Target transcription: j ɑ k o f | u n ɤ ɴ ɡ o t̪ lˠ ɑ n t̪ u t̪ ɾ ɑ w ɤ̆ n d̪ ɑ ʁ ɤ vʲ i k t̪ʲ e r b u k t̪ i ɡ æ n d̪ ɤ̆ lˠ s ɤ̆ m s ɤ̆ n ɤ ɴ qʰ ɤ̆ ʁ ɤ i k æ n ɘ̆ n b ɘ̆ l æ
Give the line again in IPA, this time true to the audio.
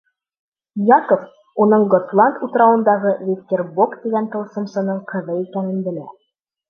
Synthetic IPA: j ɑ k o f | u n ɤ ɴ ɡ o t̪ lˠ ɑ n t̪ u t̪ ɾ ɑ w ɤ̆ n d̪ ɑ ʁ ɤ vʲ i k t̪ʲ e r b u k t̪ i ɡ æ n t̪ ɤ̆ lˠ s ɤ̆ m s ɤ̆ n ɤ ɴ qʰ ɤ̆ ð ɤ i k æ n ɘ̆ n b ɘ̆ l æ